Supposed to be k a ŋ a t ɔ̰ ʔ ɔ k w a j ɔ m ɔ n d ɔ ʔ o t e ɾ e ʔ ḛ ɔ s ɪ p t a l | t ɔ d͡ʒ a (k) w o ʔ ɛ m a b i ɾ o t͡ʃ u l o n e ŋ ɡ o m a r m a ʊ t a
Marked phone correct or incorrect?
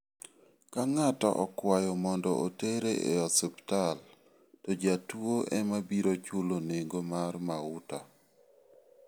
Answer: incorrect